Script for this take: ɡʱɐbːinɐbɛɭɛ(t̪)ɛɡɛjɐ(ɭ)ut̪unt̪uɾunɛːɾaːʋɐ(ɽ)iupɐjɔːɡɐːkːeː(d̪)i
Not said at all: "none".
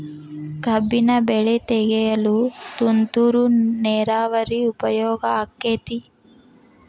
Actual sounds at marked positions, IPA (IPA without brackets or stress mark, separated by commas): t̪, l, ɾ, t̪